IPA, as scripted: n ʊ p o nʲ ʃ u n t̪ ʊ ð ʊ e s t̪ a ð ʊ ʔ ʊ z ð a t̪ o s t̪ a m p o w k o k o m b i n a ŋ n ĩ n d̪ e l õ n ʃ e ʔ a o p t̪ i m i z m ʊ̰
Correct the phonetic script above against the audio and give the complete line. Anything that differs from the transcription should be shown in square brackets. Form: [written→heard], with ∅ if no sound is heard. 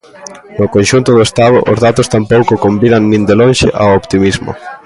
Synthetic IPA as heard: n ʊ [p→k] o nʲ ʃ u n t̪ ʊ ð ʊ e s t̪ a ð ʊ ʔ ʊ z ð a t̪ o s t̪ a m p o w k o k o m b i n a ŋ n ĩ n d̪ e l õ n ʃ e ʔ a o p t̪ i m i z m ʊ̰